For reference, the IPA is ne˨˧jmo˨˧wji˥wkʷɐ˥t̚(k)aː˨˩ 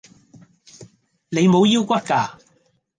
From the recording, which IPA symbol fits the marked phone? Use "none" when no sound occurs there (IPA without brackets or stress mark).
k